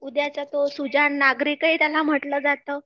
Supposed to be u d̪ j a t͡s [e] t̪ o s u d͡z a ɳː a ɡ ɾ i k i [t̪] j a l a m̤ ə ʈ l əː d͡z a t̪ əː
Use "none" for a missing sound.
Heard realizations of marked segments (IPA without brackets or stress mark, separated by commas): a, t̪